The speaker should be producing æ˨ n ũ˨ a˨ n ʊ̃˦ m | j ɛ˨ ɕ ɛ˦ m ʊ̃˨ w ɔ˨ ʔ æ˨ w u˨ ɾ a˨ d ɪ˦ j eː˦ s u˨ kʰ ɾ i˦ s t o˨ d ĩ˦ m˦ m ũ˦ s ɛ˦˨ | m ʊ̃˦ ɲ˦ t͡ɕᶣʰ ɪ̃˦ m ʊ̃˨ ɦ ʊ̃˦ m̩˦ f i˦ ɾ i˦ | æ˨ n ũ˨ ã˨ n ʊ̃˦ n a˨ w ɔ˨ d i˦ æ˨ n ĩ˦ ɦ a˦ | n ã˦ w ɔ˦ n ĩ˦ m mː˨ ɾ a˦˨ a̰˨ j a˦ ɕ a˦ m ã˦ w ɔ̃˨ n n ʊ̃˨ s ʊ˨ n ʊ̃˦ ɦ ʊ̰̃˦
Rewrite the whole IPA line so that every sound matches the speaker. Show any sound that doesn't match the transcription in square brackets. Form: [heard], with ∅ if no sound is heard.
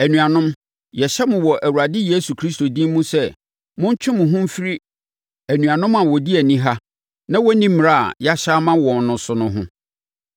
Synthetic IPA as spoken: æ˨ n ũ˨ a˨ n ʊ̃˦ m | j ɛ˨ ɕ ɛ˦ m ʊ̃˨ w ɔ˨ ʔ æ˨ w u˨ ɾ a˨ d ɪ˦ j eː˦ s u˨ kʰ ɾ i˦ s t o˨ d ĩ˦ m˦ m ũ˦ s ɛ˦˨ | m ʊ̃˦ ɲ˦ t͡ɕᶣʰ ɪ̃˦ m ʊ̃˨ ɦ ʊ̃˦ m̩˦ f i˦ ɾ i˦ | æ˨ n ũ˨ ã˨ n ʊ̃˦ [m] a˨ w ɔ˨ d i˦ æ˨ n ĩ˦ ɦ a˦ | n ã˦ w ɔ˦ n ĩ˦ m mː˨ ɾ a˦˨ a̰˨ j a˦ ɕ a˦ m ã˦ w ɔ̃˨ n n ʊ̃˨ s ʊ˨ n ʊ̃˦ ɦ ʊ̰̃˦

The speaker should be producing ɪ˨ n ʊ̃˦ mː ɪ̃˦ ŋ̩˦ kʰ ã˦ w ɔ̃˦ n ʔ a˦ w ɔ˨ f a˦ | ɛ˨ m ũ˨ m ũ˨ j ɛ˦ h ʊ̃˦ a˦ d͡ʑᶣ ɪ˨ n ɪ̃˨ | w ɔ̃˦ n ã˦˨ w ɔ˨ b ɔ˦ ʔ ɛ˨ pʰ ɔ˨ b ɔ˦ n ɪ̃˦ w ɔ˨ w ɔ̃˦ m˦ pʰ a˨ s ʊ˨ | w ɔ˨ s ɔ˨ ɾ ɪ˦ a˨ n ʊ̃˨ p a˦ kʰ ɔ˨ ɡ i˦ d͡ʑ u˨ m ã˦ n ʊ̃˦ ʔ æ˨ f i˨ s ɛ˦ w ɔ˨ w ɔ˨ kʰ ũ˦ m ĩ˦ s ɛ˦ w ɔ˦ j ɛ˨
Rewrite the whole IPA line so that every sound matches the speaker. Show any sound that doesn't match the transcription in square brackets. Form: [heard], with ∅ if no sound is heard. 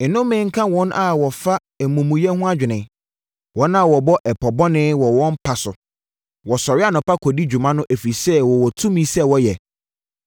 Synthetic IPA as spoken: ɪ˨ n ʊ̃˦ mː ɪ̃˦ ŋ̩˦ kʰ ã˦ w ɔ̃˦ n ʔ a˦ w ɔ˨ f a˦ | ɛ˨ m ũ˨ m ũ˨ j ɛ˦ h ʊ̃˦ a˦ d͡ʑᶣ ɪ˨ n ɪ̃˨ | w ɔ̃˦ n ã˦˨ w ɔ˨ b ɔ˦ ʔ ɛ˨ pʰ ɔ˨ b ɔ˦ n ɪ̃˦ w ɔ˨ w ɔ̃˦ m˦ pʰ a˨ s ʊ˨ | w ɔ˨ s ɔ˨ ɾ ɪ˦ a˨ n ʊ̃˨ p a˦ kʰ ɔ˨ [d] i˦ d͡ʑ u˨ m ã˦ n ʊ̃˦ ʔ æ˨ f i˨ s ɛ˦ w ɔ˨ w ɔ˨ [tʰ] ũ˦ m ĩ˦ s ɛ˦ w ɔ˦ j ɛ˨

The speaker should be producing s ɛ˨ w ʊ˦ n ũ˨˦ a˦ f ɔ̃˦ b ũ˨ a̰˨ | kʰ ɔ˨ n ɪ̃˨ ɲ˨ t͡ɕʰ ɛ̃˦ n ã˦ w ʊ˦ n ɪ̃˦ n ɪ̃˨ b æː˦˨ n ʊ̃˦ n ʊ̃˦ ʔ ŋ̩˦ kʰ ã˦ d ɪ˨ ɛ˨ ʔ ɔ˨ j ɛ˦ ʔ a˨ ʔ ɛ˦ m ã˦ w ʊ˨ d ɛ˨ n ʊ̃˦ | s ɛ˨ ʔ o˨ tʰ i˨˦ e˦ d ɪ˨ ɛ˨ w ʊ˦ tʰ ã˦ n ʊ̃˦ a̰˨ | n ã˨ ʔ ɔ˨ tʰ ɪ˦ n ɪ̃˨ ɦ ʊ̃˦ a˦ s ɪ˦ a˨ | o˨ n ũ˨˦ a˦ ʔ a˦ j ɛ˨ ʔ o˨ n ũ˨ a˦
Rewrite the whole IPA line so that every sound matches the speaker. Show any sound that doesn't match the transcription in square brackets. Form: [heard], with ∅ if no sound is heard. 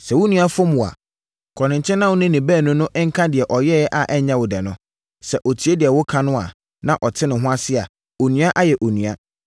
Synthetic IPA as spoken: s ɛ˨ w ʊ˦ n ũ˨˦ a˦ f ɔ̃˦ [m] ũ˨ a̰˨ | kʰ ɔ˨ n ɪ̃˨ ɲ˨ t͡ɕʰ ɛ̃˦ n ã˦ w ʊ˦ n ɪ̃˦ n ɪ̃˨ b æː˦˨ n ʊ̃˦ n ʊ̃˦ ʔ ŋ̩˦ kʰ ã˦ d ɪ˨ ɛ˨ ʔ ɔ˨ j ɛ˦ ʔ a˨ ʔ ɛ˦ [ɲ] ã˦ w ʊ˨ d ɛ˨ n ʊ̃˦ | s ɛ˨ ʔ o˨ tʰ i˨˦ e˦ d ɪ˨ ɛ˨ w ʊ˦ [kʰ] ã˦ n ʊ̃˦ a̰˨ | n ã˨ ʔ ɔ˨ tʰ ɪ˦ n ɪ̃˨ ɦ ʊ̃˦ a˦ s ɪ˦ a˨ | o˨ n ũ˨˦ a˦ ʔ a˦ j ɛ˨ ʔ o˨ n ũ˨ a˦

